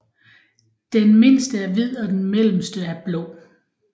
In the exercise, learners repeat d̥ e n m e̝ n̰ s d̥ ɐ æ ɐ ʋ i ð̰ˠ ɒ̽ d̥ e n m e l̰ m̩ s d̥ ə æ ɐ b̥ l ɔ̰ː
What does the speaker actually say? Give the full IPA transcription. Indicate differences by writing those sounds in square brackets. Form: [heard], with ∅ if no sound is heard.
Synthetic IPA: d̥ e n m e̝ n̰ s d̥ [ə] æ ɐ ʋ i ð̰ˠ ɒ̽ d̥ e n m e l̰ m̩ s d̥ ə æ ɐ b̥ l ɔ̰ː